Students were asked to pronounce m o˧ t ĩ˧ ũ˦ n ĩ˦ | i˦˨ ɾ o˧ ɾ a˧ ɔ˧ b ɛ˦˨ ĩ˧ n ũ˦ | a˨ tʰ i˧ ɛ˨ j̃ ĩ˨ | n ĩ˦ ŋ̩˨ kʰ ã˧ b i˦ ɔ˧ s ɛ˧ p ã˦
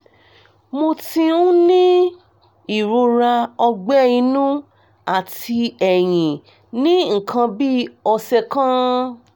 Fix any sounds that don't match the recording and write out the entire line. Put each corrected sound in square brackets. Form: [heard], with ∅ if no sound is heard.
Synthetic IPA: m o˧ t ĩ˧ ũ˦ n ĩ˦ | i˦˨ ɾ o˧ ɾ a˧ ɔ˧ [ɡ͡b] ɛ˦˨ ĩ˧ n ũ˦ | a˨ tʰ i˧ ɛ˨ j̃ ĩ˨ | n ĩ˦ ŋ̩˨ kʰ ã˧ b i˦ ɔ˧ s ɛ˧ [k] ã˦